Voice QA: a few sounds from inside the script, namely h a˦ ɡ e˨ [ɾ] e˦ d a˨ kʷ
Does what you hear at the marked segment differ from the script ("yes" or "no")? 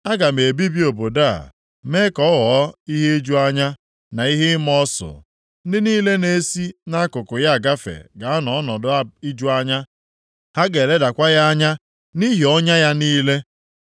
yes